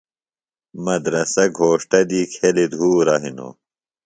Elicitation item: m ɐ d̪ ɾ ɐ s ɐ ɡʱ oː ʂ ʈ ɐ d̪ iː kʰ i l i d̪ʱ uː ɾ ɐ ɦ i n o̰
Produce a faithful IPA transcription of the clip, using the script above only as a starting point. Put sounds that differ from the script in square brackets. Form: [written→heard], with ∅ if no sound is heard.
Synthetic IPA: m ɐ d̪ ɾ ɐ s ɐ ɡʱ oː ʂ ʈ ɐ d̪ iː kʰ [i→e] l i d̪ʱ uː ɾ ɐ ɦ i n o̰